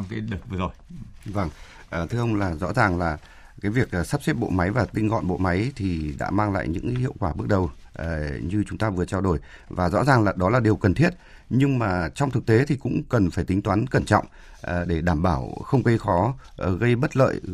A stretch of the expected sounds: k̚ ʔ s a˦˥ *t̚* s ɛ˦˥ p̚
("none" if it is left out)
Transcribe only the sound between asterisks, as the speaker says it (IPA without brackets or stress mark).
p̚